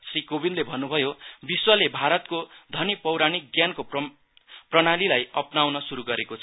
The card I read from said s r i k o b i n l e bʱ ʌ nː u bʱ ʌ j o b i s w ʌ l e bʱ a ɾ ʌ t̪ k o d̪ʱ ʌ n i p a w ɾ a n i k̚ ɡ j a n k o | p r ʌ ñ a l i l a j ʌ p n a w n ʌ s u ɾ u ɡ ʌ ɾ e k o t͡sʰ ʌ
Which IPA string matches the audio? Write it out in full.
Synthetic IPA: s r i k o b i n l e bʱ ʌ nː u bʱ ʌ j o b i s w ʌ l e bʱ a ɾ ʌ t̪ k o d̪ʱ ʌ n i p ʌ w ɾ a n i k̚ ɡ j a n k o | p r ʌ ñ a l i l a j ʌ p n a w n ʌ s u ɾ u ɡ ʌ ɾ e k o t͡sʰ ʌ